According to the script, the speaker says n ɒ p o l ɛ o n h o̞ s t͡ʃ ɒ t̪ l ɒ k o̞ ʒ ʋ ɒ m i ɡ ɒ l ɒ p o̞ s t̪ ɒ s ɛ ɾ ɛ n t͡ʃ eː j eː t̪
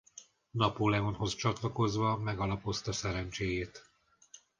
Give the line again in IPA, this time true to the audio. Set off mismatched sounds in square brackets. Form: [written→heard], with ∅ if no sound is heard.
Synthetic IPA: n ɒ p o l ɛ o n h o̞ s t͡ʃ ɒ t̪ l ɒ k o̞ [ʒ→z] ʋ ɒ m [i→ɛ] ɡ ɒ l ɒ p o̞ s t̪ ɒ s ɛ ɾ ɛ n t͡ʃ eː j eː t̪

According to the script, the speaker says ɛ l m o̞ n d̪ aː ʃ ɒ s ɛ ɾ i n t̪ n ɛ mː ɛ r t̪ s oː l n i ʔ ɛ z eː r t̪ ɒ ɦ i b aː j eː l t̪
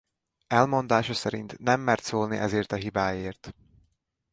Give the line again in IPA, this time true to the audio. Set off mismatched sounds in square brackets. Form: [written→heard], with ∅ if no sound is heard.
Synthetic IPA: ɛ l m o̞ n d̪ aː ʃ ɒ s ɛ ɾ i n t̪ n ɛ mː ɛ r t̪ s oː l n i ʔ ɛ z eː r t̪ ɒ ɦ i b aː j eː [l→r] t̪

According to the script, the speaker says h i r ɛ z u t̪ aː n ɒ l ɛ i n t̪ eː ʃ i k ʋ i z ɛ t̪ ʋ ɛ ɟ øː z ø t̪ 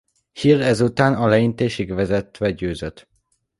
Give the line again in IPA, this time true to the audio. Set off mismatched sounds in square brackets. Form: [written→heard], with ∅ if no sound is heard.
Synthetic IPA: h i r ɛ z u t̪ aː n ɒ l ɛ i n t̪ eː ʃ i [k→ɡ] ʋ [i→ɛ] z ɛ t̪ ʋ ɛ ɟ øː z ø t̪

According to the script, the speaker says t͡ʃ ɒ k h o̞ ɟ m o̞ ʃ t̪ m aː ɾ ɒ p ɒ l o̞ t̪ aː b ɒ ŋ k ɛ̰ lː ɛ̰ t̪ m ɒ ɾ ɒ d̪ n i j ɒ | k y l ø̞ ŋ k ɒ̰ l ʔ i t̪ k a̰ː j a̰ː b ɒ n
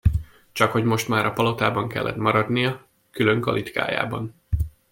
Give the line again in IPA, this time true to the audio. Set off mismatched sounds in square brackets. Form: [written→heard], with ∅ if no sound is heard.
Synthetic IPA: t͡ʃ ɒ k h o̞ ɟ m o̞ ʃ t̪ m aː ɾ ɒ p ɒ l o̞ t̪ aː b ɒ ŋ k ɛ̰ lː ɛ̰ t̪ m ɒ ɾ ɒ d̪ n i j ɒ | k y l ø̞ ŋ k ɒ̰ l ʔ i t̪ k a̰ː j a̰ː b ɒ n

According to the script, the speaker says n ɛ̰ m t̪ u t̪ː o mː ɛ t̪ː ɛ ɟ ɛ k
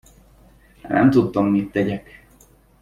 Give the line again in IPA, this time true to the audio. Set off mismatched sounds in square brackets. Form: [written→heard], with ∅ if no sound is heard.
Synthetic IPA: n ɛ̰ m t̪ u t̪ː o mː [ɛ→i] t̪ː ɛ ɟ ɛ k

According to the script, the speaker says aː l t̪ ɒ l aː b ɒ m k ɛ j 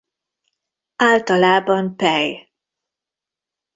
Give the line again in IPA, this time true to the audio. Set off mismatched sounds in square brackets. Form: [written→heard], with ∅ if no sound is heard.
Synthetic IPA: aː l t̪ ɒ l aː b ɒ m [k→p] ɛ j

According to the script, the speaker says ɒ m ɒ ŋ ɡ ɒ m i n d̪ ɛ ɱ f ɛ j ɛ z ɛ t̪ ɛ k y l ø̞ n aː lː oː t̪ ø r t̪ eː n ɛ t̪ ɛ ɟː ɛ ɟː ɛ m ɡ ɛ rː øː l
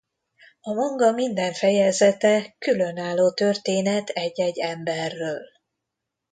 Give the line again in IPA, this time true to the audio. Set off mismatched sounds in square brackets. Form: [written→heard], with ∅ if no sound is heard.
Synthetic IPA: ɒ m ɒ ŋ ɡ ɒ m i n d̪ ɛ ɱ f ɛ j ɛ z ɛ t̪ ɛ k y l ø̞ n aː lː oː t̪ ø r t̪ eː n ɛ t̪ ɛ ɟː ɛ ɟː ɛ m [ɡ→b] ɛ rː øː l

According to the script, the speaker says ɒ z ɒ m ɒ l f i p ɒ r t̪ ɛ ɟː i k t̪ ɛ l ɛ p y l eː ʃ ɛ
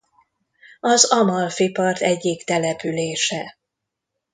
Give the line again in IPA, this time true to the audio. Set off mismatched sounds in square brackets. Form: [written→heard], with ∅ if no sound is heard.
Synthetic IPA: ɒ z ɒ m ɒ l f i p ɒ r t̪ ɛ ɟː i k t̪ ɛ l ɛ p y l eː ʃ ɛ

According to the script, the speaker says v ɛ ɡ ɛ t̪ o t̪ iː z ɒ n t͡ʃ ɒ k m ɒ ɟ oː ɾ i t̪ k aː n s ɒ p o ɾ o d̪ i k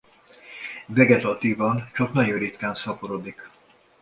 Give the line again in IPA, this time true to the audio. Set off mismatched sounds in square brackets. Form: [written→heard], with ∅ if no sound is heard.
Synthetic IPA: v ɛ ɡ ɛ t̪ [o→ɒ] t̪ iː [z→v] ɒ n t͡ʃ ɒ k [m→n] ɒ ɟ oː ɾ i t̪ k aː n s ɒ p o ɾ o d̪ i k

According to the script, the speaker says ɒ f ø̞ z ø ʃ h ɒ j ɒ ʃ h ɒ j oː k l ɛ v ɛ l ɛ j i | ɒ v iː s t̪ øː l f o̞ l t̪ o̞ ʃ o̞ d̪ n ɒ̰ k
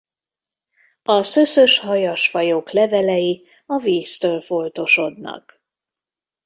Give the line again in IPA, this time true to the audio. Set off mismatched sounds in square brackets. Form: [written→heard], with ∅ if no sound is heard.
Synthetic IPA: ɒ [f→s] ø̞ [z→s] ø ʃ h ɒ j ɒ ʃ [h→f] ɒ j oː k l ɛ v ɛ l ɛ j i | ɒ v iː s t̪ øː l f o̞ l t̪ o̞ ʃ o̞ d̪ n ɒ̰ k

